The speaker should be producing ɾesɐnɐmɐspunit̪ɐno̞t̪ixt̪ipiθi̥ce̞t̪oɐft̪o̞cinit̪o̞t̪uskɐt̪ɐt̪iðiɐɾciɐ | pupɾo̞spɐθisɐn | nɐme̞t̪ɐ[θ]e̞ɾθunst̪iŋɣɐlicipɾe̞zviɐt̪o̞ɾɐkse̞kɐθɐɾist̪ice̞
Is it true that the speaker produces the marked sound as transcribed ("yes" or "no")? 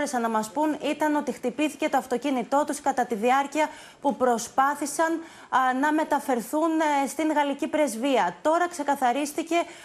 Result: no